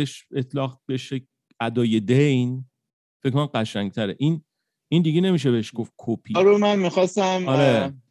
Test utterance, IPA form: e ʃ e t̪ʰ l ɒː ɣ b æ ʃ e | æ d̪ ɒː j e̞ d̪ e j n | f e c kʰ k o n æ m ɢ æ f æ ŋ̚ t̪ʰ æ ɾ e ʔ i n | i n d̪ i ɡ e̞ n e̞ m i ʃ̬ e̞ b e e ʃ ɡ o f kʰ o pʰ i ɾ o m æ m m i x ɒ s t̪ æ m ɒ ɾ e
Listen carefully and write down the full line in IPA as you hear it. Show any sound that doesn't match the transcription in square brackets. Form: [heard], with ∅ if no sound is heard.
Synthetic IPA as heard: e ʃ e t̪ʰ l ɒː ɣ b [e] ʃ e | æ d̪ ɒː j e̞ d̪ e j n | f e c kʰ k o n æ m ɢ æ [ʃ] æ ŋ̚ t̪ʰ æ ɾ e ʔ i n | i n d̪ i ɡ e̞ n e̞ m i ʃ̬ e̞ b e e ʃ ɡ o f kʰ o pʰ i ɾ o m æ [n] m i x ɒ s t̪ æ m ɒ ɾ e